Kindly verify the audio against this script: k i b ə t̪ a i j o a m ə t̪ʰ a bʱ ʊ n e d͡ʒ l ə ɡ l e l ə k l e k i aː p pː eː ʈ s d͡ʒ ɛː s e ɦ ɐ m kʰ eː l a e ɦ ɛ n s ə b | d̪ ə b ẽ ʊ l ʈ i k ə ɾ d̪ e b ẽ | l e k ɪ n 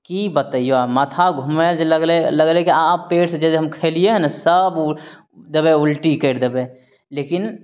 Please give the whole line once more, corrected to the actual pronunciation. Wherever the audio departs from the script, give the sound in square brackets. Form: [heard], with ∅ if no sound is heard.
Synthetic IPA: k i b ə t̪ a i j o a m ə t̪ʰ a [ɡʱ] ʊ [m] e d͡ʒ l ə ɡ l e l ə [ɡ] l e k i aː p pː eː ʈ s d͡ʒ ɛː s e ɦ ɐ m kʰ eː l [i] e ɦ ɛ n s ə b | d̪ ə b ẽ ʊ l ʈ i k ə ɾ d̪ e b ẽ | l e k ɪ n